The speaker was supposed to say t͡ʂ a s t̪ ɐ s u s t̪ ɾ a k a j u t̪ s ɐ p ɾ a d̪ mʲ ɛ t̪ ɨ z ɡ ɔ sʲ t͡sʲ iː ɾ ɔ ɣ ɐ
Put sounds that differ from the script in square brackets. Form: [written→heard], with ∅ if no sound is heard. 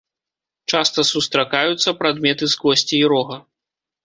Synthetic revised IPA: t͡ʂ a s t̪ ɐ s u s t̪ ɾ a k a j u t̪ [s→sː] ɐ p ɾ a d̪ mʲ ɛ t̪ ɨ z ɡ ɔ sʲ t͡sʲ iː ɾ ɔ ɣ ɐ